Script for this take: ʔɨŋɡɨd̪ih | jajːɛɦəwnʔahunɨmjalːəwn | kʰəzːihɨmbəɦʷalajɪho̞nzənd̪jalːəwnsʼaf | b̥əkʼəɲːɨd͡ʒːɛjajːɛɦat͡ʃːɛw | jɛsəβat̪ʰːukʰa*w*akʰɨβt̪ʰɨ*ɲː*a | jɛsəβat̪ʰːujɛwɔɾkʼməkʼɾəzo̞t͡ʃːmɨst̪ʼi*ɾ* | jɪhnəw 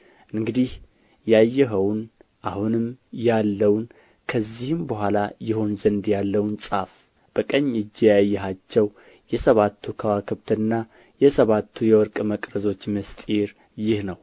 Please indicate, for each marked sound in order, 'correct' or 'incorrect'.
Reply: correct, incorrect, correct

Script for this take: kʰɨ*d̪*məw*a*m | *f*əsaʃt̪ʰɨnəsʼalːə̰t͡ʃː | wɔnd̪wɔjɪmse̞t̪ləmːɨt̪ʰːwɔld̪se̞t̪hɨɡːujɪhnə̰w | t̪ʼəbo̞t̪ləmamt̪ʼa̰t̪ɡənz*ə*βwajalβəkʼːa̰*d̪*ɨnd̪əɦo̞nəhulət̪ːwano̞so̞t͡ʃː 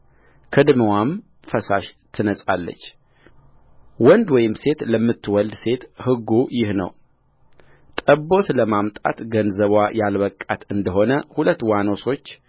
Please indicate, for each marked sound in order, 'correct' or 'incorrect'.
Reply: correct, correct, correct, correct, incorrect

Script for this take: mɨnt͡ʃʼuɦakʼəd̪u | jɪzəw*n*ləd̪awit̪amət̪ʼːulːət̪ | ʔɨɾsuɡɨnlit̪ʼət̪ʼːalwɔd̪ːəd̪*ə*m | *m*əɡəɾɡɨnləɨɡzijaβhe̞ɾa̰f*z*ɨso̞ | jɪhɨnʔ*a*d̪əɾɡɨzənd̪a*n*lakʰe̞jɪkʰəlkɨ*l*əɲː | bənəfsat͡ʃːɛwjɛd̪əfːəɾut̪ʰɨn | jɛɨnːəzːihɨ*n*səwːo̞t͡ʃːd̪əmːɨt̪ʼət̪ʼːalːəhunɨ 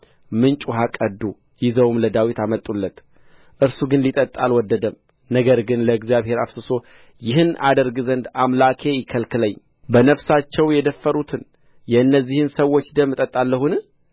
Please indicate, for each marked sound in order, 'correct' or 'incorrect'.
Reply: incorrect, correct, incorrect, incorrect, correct, incorrect, correct, correct

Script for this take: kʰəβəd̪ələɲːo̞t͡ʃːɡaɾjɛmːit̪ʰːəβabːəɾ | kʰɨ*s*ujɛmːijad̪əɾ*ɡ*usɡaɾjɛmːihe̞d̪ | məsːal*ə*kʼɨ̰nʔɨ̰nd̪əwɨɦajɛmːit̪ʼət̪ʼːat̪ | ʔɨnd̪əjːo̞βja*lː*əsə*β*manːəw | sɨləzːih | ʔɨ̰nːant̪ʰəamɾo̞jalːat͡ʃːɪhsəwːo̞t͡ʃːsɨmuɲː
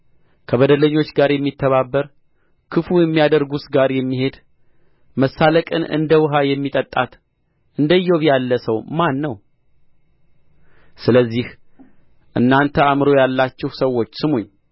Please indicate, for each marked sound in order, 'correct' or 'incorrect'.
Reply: incorrect, correct, correct, correct, incorrect

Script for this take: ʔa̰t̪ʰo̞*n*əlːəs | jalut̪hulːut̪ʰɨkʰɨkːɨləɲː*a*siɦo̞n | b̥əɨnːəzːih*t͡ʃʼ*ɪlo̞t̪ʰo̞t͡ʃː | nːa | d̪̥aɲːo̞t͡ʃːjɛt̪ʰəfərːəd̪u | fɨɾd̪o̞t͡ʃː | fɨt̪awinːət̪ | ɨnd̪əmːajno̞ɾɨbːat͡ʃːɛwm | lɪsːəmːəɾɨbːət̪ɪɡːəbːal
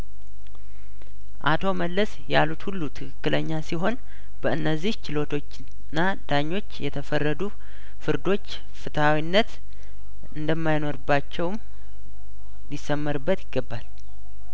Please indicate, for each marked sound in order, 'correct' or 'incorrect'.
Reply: incorrect, correct, incorrect

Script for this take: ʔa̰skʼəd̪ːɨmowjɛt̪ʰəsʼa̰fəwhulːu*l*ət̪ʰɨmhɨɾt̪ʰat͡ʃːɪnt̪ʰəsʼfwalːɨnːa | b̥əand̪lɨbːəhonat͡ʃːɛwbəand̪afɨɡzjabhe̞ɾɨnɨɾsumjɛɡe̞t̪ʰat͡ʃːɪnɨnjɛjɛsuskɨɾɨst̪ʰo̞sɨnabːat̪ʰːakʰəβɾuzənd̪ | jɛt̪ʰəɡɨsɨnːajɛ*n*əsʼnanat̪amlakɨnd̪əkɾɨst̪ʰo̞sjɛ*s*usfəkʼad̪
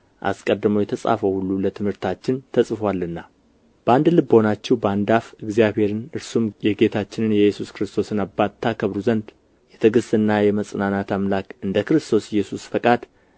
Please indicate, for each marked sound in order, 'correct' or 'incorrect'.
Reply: correct, incorrect, correct

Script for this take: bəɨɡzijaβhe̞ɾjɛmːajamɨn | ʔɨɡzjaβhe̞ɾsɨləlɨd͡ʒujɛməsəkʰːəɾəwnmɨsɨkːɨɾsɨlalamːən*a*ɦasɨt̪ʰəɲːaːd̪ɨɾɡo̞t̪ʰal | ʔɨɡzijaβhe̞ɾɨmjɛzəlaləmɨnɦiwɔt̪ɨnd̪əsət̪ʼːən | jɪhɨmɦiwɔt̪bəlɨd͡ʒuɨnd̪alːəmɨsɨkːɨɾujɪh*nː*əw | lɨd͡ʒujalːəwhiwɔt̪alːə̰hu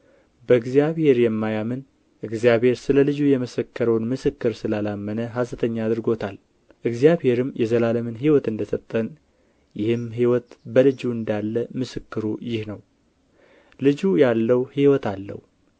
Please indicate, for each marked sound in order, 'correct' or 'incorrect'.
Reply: incorrect, incorrect

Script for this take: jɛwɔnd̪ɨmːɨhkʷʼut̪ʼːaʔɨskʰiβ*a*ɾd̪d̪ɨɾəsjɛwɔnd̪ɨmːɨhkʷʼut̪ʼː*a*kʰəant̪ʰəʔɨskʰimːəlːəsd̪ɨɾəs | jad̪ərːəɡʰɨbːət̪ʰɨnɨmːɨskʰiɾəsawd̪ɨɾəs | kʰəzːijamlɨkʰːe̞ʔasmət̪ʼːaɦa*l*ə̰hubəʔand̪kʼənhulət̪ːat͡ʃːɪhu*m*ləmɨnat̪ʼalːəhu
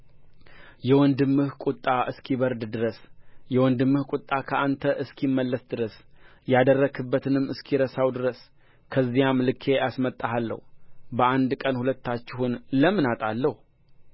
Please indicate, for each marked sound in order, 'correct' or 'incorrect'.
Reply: incorrect, correct, incorrect, incorrect

